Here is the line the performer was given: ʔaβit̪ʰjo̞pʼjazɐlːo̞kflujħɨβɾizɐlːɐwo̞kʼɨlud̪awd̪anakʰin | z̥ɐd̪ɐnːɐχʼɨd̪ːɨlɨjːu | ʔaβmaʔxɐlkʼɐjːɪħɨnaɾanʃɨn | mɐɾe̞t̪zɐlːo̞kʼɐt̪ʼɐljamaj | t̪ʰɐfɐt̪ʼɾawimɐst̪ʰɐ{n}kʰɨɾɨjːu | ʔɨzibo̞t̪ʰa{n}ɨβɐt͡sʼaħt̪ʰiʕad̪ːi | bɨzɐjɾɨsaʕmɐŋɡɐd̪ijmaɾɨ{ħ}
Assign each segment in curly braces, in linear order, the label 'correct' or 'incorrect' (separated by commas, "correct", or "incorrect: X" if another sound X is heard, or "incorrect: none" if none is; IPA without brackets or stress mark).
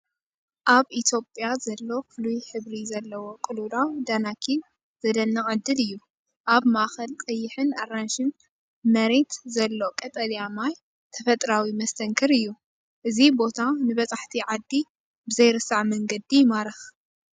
incorrect: ŋ, correct, incorrect: x